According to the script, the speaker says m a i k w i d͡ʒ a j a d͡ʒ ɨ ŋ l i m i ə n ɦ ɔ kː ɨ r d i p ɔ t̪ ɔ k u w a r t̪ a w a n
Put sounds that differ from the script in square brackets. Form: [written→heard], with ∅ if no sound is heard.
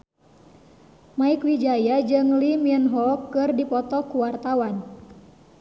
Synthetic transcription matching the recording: m a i k w i d͡ʒ a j a d͡ʒ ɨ ŋ l i m i ə n ɦ ɔ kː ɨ r d i p ɔ t̪ ɔ k u w a r t̪ a w a n